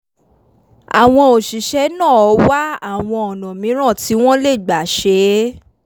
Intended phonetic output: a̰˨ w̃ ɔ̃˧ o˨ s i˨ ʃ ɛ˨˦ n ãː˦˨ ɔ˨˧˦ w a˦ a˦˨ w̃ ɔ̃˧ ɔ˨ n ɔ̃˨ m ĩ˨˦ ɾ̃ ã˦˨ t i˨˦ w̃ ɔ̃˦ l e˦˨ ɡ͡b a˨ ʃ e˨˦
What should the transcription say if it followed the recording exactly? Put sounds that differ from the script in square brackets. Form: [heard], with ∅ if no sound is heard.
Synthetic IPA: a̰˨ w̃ ɔ̃˧ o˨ [ʃ] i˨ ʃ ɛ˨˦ n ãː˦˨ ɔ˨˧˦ w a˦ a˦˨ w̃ ɔ̃˧ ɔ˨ n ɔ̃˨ m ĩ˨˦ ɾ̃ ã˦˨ t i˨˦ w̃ ɔ̃˦ l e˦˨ ɡ͡b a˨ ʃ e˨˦